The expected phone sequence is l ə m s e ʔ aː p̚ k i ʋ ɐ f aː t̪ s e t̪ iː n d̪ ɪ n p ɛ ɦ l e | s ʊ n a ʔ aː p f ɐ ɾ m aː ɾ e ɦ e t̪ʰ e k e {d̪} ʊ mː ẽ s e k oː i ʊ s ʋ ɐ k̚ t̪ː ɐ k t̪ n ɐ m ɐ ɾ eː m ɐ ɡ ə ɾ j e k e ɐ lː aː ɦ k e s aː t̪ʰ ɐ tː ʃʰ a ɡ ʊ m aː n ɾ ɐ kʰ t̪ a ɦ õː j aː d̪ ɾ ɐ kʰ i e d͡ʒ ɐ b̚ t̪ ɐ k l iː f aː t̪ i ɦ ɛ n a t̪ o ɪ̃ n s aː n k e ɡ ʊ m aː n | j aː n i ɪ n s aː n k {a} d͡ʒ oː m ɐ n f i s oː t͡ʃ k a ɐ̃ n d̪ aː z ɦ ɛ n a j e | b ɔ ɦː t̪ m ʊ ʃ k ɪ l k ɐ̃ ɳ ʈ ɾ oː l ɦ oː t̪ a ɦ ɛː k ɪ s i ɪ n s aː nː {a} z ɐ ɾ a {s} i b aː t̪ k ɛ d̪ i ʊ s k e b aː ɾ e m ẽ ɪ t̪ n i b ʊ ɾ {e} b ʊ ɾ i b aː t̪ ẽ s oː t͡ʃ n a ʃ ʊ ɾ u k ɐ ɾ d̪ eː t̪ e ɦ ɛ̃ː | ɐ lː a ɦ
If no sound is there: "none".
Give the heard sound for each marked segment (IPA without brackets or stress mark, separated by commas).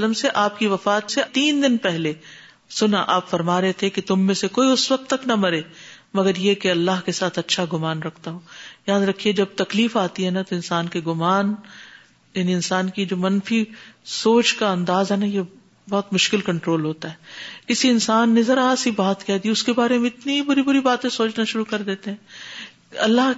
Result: t̪, i, e, s, i